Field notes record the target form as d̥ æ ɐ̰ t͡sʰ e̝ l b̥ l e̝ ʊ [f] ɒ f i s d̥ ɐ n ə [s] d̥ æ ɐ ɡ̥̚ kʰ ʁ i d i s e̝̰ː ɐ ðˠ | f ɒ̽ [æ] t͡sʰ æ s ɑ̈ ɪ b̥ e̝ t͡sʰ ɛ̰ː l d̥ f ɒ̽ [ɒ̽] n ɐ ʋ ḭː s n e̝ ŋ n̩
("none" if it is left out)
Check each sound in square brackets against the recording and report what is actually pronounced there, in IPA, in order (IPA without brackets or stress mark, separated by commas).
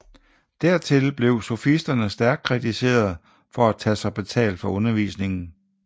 s, s, æ, ɔ̽